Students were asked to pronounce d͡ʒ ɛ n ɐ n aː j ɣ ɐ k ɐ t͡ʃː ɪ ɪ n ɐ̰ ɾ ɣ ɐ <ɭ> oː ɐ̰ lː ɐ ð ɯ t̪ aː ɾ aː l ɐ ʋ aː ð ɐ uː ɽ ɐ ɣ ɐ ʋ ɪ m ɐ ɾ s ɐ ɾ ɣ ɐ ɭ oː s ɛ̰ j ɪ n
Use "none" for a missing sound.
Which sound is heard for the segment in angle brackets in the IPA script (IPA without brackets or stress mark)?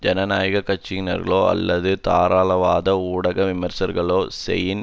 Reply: ɭ